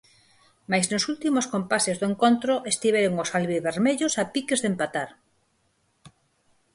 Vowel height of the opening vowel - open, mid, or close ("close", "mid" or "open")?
open